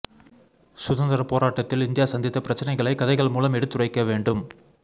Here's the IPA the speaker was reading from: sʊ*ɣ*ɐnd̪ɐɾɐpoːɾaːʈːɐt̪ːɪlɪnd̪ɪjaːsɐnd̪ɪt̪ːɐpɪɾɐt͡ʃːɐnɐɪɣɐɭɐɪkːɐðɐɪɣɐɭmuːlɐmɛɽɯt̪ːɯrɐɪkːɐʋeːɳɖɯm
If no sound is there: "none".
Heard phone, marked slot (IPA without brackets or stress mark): ð